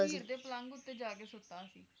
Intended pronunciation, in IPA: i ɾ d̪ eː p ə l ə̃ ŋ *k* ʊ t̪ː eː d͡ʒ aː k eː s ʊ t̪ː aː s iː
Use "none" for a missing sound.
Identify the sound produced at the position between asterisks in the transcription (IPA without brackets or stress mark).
ɡ